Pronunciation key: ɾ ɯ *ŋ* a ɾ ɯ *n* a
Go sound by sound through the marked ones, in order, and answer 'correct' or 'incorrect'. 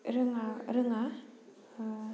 correct, incorrect

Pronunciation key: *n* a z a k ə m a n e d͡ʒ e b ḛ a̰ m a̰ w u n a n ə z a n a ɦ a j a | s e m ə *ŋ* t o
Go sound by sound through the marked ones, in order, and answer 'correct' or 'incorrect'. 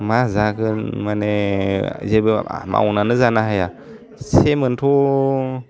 incorrect, incorrect

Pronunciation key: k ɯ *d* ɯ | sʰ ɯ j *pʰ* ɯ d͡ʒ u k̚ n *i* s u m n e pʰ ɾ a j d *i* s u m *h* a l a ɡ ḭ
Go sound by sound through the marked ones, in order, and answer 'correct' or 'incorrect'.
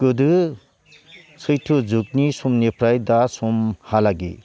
correct, incorrect, correct, incorrect, correct

